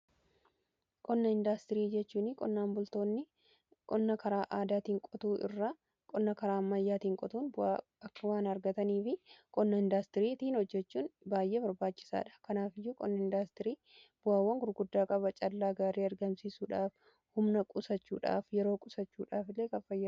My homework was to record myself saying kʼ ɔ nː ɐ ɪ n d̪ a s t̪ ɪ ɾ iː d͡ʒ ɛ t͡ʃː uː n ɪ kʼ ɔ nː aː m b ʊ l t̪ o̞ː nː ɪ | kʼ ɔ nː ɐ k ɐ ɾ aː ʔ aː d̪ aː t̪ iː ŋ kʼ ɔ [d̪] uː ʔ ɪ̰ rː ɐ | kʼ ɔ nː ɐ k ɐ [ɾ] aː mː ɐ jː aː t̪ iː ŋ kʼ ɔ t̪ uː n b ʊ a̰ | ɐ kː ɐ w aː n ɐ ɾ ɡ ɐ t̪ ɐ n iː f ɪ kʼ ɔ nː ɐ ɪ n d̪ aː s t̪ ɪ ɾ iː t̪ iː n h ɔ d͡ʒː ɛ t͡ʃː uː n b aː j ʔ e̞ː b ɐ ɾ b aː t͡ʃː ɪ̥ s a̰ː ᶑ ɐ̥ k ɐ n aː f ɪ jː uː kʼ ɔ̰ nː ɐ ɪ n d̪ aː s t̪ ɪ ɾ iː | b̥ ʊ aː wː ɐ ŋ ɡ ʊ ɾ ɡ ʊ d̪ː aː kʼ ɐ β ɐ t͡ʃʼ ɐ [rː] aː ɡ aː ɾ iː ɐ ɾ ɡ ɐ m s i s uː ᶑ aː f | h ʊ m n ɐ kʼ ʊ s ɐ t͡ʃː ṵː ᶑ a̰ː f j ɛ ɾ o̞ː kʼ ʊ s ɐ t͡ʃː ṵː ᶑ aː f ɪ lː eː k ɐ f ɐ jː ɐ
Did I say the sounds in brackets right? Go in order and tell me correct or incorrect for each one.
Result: incorrect: t̪, correct, incorrect: lː

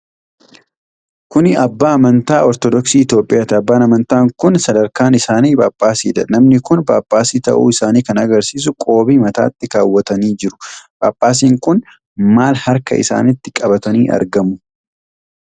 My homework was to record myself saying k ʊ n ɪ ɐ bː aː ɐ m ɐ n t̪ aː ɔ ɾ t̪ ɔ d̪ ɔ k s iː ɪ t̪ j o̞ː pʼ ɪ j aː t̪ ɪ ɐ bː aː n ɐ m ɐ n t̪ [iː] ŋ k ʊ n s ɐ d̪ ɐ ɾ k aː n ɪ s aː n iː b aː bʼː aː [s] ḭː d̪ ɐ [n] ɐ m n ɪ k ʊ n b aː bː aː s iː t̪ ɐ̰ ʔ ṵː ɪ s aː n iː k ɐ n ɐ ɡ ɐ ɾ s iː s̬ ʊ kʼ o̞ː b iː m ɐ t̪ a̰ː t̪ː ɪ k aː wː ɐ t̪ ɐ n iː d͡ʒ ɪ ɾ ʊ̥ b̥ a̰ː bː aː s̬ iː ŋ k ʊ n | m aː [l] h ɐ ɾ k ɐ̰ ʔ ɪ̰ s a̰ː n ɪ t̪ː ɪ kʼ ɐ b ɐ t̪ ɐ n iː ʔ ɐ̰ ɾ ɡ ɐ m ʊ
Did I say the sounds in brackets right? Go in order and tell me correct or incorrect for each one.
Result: incorrect: aː, correct, correct, correct

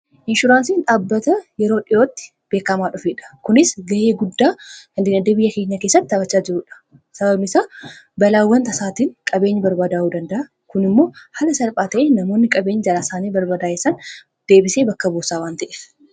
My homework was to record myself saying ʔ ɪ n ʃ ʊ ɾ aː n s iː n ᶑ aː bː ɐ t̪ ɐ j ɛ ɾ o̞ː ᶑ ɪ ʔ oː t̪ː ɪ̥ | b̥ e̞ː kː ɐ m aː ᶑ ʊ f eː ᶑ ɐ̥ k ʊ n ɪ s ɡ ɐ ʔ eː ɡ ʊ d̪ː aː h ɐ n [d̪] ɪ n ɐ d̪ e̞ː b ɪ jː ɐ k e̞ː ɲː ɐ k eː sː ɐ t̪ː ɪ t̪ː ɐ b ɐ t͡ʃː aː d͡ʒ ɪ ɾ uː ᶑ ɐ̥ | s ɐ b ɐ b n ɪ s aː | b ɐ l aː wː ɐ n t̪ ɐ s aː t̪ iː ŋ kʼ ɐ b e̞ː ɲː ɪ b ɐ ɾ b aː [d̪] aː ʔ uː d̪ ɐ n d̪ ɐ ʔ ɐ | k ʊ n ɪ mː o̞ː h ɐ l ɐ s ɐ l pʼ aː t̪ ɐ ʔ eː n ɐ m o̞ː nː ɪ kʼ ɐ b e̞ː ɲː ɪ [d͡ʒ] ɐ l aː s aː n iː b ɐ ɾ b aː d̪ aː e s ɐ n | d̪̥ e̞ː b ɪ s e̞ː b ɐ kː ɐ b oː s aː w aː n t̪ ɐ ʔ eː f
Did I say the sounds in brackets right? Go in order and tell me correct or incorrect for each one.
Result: correct, correct, correct

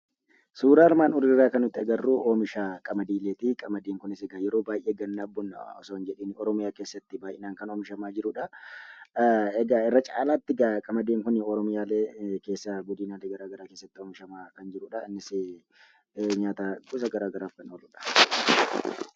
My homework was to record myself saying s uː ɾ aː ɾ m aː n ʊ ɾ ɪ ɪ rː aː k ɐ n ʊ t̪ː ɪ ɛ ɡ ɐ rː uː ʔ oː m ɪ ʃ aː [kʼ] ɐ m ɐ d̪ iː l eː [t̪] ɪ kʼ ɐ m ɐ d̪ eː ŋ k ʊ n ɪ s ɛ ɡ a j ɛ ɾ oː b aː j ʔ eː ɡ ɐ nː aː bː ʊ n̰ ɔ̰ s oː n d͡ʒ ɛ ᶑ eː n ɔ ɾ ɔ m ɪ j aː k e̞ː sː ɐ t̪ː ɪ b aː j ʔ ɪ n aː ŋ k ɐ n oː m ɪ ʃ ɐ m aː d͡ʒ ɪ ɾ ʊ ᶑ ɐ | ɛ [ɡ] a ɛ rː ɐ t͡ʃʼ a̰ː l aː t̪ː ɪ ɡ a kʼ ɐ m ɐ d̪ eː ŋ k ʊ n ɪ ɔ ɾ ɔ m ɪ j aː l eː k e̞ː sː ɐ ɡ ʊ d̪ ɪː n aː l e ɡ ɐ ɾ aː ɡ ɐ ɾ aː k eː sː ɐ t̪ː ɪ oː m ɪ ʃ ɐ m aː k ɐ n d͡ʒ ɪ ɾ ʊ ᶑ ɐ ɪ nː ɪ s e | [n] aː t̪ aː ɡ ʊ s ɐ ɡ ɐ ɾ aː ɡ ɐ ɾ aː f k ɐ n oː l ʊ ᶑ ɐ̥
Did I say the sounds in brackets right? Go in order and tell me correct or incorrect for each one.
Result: correct, correct, correct, incorrect: ɲ

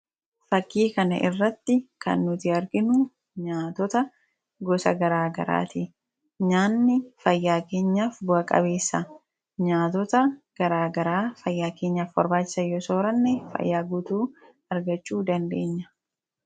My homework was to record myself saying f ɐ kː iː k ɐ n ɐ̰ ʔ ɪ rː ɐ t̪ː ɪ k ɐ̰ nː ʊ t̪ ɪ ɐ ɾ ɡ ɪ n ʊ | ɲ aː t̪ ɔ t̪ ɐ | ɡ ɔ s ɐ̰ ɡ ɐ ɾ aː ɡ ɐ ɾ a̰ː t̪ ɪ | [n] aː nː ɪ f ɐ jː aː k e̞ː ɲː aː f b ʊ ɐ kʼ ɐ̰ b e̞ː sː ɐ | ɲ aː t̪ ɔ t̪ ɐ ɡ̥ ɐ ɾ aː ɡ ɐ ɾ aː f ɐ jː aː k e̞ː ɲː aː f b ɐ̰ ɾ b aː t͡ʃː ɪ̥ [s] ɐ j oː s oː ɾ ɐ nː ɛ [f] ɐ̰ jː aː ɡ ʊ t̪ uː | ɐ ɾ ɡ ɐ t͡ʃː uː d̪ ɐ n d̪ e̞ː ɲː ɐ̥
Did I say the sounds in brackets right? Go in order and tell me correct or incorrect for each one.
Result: incorrect: ɲ, correct, correct

